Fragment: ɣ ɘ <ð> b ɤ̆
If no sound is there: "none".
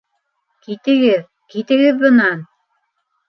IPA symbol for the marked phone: ð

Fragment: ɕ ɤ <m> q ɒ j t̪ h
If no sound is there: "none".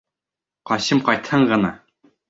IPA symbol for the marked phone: m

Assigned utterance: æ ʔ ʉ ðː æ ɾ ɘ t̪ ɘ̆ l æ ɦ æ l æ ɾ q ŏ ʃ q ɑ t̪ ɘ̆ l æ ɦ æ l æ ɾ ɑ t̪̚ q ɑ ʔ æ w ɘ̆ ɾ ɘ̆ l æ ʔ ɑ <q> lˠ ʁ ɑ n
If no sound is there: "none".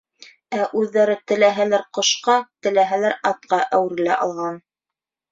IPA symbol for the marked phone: none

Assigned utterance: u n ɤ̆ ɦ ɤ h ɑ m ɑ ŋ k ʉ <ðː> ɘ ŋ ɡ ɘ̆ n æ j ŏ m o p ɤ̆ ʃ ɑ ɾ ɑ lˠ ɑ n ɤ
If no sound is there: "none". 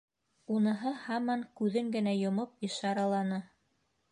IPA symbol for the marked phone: ð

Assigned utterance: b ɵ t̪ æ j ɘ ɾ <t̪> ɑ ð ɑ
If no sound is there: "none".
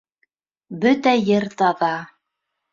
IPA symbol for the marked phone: t̪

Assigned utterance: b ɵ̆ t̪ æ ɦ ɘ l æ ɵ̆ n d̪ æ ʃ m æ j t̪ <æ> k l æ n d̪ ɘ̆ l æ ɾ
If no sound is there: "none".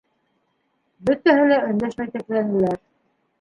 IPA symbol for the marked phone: æ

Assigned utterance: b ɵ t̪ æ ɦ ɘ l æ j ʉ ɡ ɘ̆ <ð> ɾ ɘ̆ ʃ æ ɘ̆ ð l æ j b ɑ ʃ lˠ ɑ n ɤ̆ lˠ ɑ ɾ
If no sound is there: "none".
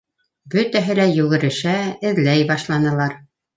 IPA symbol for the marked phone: none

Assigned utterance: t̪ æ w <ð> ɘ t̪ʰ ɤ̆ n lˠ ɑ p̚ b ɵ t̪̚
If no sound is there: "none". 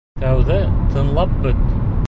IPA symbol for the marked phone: ð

